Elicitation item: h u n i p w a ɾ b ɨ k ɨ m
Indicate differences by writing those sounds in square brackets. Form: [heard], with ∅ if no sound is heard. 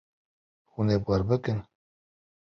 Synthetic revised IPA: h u n [e] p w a ɾ b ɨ k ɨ [n]